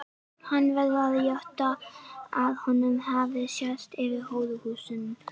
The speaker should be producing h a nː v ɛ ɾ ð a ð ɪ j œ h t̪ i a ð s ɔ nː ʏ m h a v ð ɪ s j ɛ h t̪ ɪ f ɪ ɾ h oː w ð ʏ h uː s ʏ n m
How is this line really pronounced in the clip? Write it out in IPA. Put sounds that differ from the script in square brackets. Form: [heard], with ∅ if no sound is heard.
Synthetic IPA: h a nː v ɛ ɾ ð a ð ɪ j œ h t̪ [a] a ð [h] ɔ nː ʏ m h a v ð ɪ s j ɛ [s] t̪ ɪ [v] ɪ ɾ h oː w ð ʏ h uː s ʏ n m